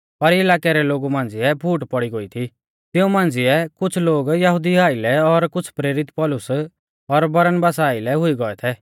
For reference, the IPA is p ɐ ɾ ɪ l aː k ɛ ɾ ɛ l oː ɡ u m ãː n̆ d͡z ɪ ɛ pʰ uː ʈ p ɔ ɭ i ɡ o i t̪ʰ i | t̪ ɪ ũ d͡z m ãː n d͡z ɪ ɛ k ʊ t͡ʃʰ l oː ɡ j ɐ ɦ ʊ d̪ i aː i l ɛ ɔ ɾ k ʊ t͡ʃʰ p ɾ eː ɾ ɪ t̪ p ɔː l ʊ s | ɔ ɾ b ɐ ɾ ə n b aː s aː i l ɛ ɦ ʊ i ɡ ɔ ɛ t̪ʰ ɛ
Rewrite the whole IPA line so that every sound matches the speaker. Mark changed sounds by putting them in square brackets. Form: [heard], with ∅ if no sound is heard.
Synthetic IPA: p ɐ ɾ ɪ l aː k ɛ ɾ ɛ l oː ɡ u m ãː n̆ d͡z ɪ ɛ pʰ uː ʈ p ɔ [ɽ] i ɡ o i t̪ʰ i | t̪ ɪ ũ [∅] m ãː n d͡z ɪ ɛ k ʊ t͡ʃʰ l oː ɡ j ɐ ɦ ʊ d̪ i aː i l ɛ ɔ ɾ k ʊ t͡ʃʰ p ɾ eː ɾ ɪ t̪ p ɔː l ʊ s | ɔ ɾ b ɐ ɾ ə n b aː s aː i l ɛ ɦ ʊ i ɡ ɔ ɛ t̪ʰ ɛ